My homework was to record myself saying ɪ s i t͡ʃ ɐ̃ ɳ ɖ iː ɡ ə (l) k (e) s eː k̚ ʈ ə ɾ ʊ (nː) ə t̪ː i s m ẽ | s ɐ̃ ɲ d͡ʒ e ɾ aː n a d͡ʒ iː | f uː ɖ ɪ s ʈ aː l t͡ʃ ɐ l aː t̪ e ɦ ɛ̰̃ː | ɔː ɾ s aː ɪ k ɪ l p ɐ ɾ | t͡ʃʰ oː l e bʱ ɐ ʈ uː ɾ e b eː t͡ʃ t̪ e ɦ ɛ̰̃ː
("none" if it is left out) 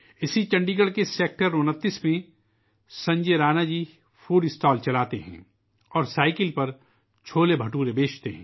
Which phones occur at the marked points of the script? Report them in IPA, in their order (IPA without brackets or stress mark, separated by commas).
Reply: ɽ, e, n